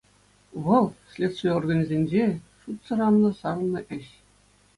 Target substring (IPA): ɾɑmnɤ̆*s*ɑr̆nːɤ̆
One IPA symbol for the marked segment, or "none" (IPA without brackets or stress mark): s